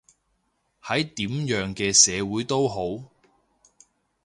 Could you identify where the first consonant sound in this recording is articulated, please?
glottal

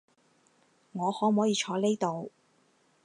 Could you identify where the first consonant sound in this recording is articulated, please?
velar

